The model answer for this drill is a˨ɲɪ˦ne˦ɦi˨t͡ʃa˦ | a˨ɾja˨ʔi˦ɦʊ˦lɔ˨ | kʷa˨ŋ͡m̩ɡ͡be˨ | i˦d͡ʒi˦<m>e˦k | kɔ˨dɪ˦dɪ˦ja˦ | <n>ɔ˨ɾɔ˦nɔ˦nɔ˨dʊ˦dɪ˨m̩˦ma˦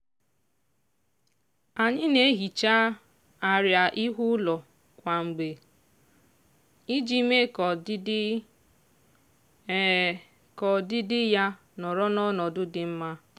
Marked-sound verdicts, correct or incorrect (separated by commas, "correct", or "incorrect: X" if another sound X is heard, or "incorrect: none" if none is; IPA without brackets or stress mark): correct, correct